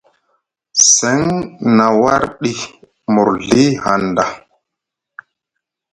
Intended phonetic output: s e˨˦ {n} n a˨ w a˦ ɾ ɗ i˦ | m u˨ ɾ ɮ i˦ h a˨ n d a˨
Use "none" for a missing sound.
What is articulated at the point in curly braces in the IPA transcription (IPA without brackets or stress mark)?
ŋ